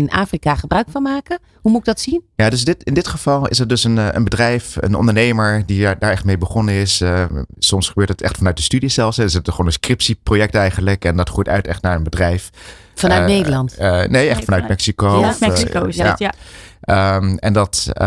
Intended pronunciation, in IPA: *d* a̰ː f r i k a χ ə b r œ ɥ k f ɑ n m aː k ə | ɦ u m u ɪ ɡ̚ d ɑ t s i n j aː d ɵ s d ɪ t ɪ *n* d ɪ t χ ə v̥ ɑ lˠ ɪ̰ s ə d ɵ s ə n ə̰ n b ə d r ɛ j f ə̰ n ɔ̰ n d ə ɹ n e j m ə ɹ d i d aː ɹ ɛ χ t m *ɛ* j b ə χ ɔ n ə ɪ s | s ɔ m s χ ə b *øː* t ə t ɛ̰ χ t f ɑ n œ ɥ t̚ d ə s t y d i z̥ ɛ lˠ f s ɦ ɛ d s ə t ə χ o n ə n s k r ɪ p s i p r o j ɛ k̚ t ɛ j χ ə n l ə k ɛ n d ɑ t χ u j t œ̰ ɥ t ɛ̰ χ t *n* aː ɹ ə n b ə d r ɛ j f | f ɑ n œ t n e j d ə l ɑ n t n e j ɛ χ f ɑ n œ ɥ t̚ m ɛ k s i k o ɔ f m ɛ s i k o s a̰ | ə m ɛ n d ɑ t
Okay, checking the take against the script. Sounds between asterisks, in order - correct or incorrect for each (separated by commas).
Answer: incorrect, correct, incorrect, correct, correct